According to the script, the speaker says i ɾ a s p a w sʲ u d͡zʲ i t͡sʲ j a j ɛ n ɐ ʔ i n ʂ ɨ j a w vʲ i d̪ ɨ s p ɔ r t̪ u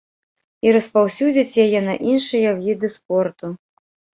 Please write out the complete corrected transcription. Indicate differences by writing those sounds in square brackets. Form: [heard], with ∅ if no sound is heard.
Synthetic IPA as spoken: i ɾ [ɐ] s p a w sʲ u d͡zʲ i t͡sʲ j a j ɛ n ɐ ʔ i n ʂ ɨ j [ɐ] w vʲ i d̪ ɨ s p ɔ r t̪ u